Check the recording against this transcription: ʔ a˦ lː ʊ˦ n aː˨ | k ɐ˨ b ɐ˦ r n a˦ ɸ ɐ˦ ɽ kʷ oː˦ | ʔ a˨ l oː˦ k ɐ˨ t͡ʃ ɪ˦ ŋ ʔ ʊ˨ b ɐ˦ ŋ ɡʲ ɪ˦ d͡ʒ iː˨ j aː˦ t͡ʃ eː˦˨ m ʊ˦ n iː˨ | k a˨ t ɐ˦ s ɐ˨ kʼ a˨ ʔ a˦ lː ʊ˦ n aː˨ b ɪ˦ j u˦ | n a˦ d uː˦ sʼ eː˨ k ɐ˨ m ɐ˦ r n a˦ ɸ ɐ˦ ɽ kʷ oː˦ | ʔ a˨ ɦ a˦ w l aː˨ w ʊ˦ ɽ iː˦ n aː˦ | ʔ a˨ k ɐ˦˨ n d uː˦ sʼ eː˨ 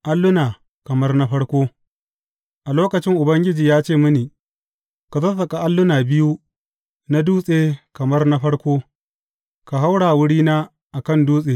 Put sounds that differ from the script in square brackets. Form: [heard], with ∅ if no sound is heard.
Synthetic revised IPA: ʔ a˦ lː ʊ˦ n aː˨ | k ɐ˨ [m] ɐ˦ r n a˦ ɸ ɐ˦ ɽ kʷ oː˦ | ʔ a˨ l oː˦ k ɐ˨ t͡ʃ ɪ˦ ŋ ʔ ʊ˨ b ɐ˦ ŋ ɡʲ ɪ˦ d͡ʒ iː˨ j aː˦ t͡ʃ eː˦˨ m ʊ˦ n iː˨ | k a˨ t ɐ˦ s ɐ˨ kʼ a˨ ʔ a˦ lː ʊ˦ n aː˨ b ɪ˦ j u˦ | n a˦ d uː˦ sʼ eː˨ k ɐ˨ m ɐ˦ r n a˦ ɸ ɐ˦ ɽ kʷ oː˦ | [k] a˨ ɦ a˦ w [ɽ] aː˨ w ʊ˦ ɽ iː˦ n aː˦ | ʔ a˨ k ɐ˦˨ n d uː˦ sʼ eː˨